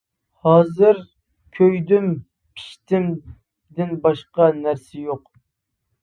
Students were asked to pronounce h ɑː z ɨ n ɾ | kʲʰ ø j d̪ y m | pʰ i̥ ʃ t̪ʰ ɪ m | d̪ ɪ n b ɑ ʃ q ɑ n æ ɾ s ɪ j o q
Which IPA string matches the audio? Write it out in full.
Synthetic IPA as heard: h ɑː z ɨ ɾ | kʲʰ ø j d̪ y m | pʰ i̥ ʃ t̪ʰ ɪ m | d̪ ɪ n b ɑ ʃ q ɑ n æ ɾ s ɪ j o q

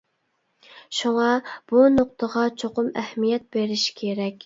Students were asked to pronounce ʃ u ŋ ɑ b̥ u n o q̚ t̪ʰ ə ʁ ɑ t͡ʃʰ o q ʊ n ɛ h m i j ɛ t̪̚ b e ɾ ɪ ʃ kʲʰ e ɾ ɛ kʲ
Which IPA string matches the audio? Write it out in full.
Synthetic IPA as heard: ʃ u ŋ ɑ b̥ u n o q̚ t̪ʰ ə ʁ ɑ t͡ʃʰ o q ʊ m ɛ h m i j ɛ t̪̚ b e ɾ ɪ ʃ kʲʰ e ɾ ɛ kʲ

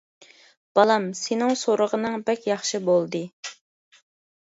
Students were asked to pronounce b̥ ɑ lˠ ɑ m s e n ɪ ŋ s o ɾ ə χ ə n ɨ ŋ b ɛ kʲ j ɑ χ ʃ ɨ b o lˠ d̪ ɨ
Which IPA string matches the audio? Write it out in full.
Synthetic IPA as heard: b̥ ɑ lˠ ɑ m s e n ɪ ŋ s o ɾ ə ʁ ə n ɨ ŋ b ɛ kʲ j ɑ χ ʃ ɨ b o lˠ d̪ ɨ

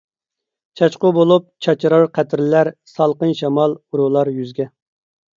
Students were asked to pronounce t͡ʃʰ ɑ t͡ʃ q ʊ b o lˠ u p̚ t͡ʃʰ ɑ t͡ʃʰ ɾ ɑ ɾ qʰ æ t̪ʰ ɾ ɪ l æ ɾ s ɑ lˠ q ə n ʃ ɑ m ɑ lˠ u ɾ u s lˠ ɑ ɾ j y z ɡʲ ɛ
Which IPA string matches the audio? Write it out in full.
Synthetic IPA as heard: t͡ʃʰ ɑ t͡ʃ q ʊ b o lˠ u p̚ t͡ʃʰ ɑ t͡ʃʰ ɾ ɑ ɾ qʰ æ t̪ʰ ɾ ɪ l æ ɾ s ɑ lˠ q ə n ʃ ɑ m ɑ lˠ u ɾ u lˠ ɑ ɾ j y z ɡʲ ɛ

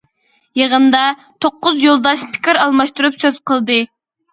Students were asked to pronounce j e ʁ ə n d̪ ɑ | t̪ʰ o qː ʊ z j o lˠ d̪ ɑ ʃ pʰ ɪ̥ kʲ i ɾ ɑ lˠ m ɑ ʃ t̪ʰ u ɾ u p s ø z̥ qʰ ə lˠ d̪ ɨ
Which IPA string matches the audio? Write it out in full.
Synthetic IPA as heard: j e ʁ ə n d̪ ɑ | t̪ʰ o qː ʊ z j o lˠ d̪ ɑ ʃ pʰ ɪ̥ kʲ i ɾ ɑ lˠ m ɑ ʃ t̪ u ɾ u p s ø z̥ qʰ ə lˠ d̪ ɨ

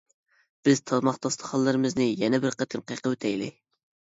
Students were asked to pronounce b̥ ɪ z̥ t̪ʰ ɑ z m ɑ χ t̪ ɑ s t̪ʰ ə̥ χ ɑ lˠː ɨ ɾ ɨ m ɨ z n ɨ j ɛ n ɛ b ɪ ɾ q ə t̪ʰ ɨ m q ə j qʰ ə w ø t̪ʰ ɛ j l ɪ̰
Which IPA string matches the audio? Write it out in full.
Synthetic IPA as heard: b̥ ɪ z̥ t̪ʰ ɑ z m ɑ χ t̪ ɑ s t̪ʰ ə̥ χ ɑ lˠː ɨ ɾ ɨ m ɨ z n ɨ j ɛ n ɛ b ɪ ɾ q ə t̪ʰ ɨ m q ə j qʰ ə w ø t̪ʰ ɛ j l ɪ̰

